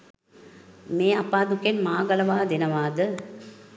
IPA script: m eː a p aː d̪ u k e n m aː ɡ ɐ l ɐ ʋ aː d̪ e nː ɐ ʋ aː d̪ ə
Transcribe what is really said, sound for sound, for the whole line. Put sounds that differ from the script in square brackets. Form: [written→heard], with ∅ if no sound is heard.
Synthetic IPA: m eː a p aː d̪ u k e n m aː ɡ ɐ l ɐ ʋ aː d̪ e [nː→n] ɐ ʋ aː d̪ ə